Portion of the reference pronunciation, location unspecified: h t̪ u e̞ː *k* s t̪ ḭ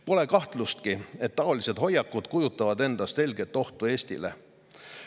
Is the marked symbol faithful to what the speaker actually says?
no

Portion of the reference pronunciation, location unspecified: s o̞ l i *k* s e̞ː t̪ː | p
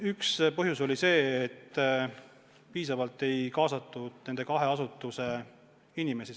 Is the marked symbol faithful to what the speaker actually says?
no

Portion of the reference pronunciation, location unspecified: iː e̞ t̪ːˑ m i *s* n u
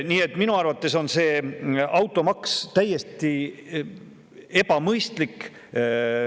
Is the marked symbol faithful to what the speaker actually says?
no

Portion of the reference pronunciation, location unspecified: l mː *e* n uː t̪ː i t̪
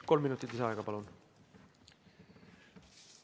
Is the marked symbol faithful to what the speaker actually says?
no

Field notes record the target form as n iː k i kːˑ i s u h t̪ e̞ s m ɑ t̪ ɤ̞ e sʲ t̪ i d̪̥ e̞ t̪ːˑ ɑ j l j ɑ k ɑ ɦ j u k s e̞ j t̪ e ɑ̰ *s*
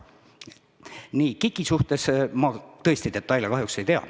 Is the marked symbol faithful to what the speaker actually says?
no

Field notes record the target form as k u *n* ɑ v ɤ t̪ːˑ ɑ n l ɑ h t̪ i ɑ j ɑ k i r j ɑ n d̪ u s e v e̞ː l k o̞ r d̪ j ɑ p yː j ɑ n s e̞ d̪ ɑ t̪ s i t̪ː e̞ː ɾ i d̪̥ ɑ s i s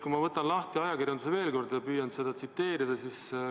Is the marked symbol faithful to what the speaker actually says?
no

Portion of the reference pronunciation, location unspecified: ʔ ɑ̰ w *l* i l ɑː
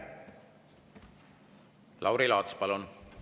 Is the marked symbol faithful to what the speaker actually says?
no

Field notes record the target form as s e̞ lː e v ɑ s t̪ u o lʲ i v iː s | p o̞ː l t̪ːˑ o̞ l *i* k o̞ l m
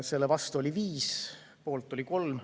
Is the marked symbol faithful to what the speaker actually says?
yes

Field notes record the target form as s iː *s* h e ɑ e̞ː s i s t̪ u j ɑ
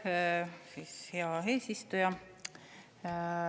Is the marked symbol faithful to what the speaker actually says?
yes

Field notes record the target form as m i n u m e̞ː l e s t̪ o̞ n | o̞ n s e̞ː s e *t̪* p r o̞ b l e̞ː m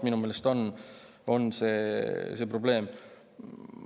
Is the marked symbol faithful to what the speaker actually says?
no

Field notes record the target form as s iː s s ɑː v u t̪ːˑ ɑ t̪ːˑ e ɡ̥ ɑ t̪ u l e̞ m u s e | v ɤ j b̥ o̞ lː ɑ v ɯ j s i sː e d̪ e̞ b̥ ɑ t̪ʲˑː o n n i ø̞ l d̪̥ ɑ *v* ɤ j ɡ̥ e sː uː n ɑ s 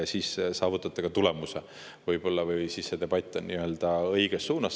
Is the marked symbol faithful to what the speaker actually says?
no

